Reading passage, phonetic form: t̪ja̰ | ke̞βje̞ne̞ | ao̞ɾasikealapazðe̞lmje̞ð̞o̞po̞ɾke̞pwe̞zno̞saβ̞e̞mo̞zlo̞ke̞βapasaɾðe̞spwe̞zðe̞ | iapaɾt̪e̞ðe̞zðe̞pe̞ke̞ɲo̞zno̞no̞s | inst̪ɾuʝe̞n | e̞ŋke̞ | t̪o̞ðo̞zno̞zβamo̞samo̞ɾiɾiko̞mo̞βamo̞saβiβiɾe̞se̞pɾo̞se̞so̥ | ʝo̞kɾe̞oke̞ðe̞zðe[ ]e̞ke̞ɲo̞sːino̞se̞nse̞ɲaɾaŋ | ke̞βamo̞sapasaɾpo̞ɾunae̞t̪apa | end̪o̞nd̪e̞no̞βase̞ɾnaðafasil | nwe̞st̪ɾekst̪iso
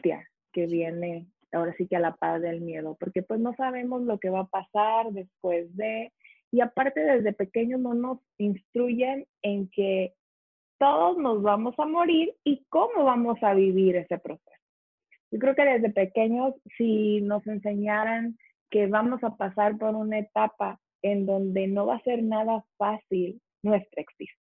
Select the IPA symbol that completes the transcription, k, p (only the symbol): p